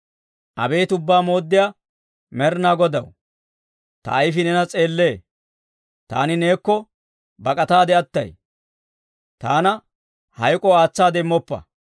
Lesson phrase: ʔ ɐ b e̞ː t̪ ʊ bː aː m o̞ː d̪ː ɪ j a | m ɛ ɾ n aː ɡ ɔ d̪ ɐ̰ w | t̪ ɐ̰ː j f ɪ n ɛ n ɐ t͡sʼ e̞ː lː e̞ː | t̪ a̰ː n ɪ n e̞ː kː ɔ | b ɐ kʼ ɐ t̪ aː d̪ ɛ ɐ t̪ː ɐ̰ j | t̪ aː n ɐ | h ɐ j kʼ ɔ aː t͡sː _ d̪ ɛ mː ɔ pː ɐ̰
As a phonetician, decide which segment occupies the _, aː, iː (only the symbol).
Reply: aː